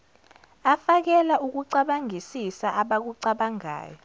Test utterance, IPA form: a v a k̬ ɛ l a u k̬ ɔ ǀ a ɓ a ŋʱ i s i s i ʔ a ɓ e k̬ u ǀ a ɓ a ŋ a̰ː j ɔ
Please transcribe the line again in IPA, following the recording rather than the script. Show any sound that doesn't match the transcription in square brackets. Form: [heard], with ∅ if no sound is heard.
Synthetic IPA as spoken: a [f] a k̬ ɛ l a u k̬ [u] ǀ a ɓ a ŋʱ i s i s [a] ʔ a ɓ [a] k̬ u ǀ a ɓ a ŋ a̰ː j ɔ